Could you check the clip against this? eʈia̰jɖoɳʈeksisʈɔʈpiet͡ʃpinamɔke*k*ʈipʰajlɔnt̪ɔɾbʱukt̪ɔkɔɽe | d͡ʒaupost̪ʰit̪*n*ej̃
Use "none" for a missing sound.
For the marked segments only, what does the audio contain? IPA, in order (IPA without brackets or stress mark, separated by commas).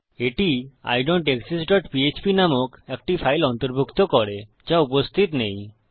k, n